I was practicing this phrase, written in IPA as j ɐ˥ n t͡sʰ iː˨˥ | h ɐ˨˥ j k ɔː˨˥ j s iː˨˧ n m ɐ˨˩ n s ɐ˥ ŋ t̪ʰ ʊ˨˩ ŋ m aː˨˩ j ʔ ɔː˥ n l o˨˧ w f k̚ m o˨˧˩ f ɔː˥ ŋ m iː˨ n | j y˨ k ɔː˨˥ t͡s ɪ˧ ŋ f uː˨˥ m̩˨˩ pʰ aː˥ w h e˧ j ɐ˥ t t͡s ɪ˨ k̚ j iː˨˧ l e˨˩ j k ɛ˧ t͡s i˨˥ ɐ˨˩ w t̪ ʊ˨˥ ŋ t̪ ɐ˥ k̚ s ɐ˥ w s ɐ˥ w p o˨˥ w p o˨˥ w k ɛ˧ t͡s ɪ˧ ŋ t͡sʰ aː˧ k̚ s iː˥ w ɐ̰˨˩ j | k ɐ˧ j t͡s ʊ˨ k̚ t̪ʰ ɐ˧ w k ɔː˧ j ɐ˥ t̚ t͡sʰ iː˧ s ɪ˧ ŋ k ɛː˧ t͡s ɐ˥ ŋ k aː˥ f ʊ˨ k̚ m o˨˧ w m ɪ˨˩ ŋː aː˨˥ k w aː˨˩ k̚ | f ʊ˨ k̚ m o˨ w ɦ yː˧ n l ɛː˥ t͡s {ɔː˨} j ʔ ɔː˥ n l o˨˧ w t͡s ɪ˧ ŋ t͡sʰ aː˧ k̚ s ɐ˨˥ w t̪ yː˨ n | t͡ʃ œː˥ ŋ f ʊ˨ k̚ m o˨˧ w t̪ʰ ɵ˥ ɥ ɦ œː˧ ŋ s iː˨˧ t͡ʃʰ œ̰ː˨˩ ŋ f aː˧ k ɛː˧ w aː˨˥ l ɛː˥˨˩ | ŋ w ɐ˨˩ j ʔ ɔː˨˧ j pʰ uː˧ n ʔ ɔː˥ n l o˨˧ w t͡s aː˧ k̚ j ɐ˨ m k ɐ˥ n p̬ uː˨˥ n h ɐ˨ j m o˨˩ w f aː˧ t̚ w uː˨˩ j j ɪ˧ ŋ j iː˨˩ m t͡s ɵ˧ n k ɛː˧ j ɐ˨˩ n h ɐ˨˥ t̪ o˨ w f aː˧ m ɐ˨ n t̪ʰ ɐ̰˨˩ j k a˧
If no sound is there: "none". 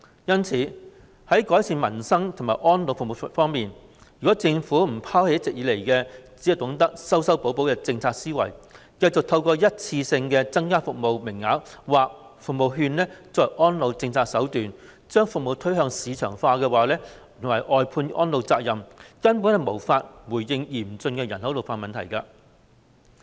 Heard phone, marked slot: ɔː˨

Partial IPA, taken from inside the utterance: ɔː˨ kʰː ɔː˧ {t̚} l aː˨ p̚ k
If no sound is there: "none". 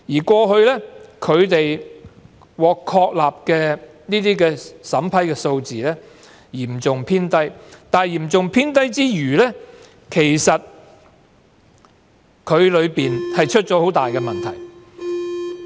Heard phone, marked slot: k̚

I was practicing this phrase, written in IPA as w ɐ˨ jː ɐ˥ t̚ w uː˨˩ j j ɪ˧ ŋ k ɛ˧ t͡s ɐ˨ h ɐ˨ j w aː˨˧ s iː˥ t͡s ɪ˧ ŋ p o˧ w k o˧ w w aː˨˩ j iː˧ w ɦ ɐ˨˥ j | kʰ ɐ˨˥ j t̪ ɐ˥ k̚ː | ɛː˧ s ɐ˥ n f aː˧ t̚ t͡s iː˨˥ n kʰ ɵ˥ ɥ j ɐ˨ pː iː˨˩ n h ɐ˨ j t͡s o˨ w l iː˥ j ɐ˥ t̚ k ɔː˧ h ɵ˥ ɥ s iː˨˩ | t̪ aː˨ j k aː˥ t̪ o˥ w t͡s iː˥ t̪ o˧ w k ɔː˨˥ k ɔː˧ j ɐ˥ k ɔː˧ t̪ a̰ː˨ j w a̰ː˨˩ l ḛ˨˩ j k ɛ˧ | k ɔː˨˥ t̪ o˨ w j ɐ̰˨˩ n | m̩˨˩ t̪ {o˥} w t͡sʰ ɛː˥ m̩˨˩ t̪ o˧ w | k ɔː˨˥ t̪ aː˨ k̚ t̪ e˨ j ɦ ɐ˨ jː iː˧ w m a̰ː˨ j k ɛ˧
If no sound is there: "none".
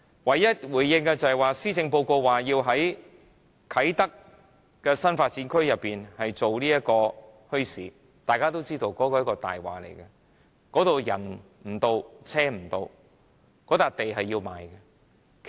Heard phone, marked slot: o˧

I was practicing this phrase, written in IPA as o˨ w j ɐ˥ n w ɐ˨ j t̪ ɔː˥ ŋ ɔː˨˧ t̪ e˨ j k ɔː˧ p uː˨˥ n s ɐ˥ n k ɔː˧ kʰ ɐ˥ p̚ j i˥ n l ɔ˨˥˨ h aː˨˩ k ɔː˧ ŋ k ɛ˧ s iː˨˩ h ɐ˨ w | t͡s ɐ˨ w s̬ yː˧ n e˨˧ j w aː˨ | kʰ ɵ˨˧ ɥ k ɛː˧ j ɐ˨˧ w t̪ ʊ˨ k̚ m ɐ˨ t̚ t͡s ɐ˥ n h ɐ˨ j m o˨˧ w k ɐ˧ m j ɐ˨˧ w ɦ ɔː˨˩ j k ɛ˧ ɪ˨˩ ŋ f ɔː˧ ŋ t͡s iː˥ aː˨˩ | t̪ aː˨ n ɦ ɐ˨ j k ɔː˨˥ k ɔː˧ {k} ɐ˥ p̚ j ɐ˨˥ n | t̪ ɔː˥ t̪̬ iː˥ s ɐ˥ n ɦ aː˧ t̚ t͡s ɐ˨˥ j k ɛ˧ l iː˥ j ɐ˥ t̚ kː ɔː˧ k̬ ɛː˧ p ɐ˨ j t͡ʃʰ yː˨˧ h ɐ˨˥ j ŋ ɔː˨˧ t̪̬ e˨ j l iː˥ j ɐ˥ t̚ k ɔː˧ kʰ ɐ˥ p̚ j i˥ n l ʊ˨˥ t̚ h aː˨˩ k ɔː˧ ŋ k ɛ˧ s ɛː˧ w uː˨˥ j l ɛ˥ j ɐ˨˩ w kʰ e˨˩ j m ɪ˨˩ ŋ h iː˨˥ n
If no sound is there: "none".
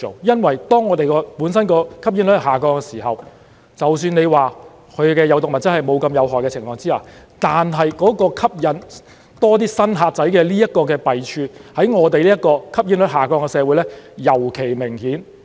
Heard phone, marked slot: kʰ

